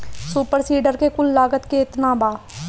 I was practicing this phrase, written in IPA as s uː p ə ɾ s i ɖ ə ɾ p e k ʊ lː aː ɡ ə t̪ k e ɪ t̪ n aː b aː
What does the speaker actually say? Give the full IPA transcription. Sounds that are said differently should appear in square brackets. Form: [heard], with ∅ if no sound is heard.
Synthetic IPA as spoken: s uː p ə ɾ s [iː] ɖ ə ɾ [k] e k ʊ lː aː ɡ ə t̪ k e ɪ t̪ n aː b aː